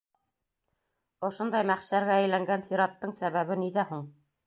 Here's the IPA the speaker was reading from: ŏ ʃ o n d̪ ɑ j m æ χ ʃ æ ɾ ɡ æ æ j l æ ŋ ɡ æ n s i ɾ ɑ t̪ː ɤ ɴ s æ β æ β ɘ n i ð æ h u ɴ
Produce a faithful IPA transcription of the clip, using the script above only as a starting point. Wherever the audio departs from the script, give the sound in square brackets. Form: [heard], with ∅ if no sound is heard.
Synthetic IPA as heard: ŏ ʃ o n d̪ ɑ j m æ χ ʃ æ ɾ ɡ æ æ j l æ ŋ ɡ æ n s i ɾ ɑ t̪ː ɤ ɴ s æ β æ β ɘ n i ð æ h u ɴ